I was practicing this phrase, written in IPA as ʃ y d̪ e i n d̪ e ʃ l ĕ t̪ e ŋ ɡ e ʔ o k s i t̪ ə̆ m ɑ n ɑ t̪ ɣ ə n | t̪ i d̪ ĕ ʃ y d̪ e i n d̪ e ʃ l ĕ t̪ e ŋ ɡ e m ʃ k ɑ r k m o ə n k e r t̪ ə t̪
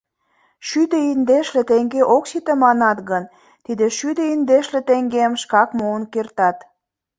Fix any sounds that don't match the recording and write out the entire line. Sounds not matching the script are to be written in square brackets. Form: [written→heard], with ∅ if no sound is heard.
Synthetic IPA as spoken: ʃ y d̪ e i n d̪ e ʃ l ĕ t̪ e ŋ ɡ e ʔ o k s i t̪ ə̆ m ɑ n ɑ t̪ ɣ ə n | t̪ i d̪ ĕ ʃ y d̪ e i n d̪ e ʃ l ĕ t̪ e ŋ ɡ e m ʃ k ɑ [r→∅] k m o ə n k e r t̪ [ə→ɑ] t̪